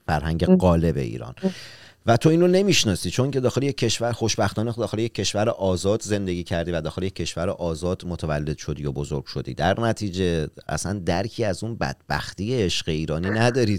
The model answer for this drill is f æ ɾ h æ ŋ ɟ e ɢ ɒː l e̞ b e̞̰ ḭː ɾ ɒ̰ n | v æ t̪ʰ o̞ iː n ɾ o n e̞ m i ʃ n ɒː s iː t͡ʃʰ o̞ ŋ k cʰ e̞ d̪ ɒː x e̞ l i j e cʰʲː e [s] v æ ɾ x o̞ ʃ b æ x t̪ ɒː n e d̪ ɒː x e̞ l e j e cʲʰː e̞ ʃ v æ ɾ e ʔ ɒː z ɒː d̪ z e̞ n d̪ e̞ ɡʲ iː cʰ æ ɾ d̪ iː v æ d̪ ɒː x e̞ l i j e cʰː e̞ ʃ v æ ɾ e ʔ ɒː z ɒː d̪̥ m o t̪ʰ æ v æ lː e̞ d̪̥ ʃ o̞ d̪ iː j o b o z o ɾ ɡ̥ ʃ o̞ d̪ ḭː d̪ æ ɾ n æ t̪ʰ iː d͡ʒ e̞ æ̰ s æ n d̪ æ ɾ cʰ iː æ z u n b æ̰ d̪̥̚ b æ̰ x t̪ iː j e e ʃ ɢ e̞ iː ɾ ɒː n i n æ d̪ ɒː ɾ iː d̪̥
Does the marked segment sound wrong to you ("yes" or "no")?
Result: yes